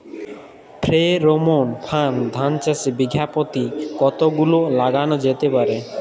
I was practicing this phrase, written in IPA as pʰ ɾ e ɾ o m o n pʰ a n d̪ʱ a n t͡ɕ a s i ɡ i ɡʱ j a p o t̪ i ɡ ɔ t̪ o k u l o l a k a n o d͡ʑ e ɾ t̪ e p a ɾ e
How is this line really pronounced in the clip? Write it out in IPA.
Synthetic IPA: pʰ ɾ e ɾ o m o n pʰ a n d̪ʱ a n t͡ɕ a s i b i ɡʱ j a p o t̪ i k ɔ t̪ o ɡ u l o l a ɡ a n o d͡ʑ e t̪ e p a ɾ e